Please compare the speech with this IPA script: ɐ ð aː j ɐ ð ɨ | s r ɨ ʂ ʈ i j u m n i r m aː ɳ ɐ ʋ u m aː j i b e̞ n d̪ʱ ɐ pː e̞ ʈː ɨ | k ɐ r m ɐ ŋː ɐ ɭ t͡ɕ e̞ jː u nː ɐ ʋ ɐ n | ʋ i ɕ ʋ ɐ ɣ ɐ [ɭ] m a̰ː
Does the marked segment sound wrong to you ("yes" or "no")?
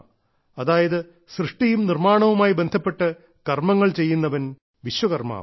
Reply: yes